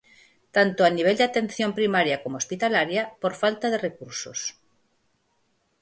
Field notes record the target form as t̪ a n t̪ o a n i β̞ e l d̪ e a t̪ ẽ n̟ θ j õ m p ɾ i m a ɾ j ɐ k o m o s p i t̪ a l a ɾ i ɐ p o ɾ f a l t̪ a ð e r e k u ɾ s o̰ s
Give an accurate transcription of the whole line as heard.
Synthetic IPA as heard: t̪ a n t̪ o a n i β̞ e l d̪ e a t̪ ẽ n̟ θ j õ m p ɾ i m a ɾ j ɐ k o m o s p i t̪ a l a ɾ j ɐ p o ɾ f a l t̪ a ð e r e k u ɾ s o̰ s

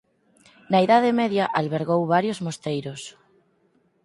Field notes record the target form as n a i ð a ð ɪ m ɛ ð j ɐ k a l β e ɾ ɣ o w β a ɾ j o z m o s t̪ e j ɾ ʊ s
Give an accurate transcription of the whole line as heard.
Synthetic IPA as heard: n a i ð a ð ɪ m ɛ ð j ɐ ʔ a l β e ɾ ɣ o w β a ɾ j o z m o s t̪ e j ɾ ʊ s

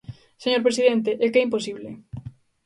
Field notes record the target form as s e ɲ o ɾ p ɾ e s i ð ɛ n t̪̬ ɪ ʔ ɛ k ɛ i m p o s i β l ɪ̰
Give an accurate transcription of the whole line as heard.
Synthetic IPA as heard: s e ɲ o ɾ p ɾ e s i ð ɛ n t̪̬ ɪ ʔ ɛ k ɛ i m p o s i β l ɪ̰

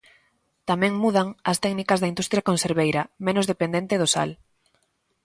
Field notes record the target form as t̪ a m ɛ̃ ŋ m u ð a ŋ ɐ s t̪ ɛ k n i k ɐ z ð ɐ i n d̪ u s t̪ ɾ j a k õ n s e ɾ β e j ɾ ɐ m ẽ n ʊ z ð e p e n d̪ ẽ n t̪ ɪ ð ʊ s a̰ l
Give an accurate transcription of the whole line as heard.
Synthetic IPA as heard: t̪ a m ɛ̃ ŋ m u ð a ŋ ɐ s t̪ ɛ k n i k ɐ z ð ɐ i n d̪ u s t̪ ɾ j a k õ n s e ɾ β e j ɾ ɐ m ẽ n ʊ z ð e p e n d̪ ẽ n t̪ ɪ ð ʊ s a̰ l

